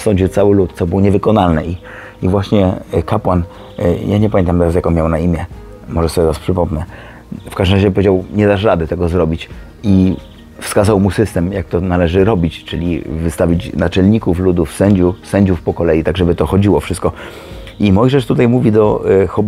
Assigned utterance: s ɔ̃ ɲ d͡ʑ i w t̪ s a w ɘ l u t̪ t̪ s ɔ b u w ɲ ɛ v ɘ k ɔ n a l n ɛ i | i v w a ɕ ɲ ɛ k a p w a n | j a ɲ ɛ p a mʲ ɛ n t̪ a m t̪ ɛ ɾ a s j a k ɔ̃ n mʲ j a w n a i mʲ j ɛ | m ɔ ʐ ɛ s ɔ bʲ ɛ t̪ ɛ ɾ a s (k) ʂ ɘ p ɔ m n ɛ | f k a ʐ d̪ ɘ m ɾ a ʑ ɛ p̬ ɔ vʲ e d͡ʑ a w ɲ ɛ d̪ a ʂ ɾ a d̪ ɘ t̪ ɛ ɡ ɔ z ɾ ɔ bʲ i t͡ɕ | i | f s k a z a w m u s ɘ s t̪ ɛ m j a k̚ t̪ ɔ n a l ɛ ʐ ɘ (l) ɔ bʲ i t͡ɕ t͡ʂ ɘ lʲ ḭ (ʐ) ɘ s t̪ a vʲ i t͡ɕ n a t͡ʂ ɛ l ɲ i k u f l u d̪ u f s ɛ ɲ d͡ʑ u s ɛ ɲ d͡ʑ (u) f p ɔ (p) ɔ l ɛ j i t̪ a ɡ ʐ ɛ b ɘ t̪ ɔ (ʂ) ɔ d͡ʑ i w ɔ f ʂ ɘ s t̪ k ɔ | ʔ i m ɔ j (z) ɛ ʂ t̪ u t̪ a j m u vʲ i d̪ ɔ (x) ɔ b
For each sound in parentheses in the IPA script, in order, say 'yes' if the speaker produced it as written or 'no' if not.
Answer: no, no, no, yes, no, no, no, yes

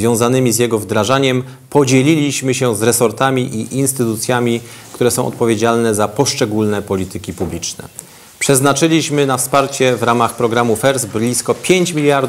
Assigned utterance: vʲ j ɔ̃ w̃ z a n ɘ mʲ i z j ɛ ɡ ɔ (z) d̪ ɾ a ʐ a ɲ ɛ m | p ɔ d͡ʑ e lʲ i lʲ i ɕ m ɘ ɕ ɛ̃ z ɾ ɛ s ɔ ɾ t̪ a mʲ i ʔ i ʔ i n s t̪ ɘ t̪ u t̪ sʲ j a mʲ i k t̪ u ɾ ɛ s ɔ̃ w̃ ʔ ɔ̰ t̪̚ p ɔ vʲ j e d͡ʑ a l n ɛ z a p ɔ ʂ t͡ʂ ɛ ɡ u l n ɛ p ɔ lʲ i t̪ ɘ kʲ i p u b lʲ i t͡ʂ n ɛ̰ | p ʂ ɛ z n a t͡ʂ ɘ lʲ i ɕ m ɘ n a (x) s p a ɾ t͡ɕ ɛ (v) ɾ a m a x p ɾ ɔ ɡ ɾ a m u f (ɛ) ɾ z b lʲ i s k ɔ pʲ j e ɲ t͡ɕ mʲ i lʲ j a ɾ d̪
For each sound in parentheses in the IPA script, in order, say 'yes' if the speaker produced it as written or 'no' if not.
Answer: no, no, yes, yes

